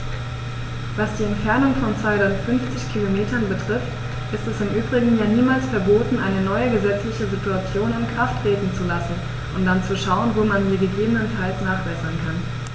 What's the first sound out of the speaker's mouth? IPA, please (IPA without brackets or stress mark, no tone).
v